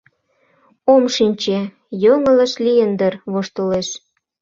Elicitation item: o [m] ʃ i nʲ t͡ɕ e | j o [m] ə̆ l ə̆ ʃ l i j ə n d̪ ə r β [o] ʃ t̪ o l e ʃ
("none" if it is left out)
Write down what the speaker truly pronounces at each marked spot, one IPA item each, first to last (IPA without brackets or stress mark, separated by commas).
m, ŋ, o